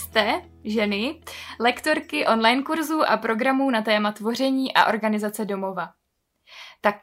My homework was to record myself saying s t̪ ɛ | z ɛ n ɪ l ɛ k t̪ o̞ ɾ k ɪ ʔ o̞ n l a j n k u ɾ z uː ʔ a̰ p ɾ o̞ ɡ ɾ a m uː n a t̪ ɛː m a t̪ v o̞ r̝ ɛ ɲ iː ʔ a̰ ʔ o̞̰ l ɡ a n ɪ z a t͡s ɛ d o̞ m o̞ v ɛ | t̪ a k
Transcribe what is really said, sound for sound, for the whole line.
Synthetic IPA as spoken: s t̪ ɛ | ʒ ɛ n ɪ l ɛ k t̪ o̞ ɾ k ɪ ʔ o̞ n l a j n k u ɾ z uː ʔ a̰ p ɾ o̞ ɡ ɾ a m uː n a t̪ ɛː m a t̪ v o̞ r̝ ɛ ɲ iː ʔ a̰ ʔ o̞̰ ɾ ɡ a n ɪ z a t͡s ɛ d o̞ m o̞ v a | t̪ a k